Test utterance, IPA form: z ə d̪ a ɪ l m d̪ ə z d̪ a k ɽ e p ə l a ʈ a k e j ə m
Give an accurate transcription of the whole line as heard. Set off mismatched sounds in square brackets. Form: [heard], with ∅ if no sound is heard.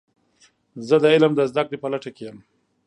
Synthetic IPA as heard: z ə d̪ [ə] ɪ l m d̪ ə z d̪ a k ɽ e p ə l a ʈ a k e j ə m

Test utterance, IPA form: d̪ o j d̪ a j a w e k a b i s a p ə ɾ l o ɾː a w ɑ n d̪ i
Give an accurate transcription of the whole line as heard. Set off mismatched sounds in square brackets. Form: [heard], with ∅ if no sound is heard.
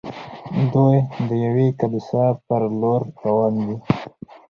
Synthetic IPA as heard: d̪ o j d̪ [ə] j a w e k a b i s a p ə ɾ l o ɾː a w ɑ n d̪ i

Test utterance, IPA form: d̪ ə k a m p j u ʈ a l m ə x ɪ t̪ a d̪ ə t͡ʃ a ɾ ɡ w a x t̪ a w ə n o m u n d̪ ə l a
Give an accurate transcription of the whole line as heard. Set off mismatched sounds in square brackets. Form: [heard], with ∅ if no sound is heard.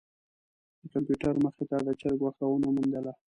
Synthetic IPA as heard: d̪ ə k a m p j u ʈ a [ɾ] m ə x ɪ t̪ a d̪ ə t͡ʃ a ɾ ɡ w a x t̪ a w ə n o m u n d̪ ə l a

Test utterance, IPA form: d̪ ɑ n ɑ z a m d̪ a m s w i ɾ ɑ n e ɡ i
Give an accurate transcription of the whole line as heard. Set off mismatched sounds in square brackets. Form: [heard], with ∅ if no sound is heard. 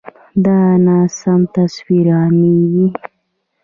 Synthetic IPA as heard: d̪ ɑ n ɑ [s] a m [t̪] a [∅] s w i ɾ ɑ n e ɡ i

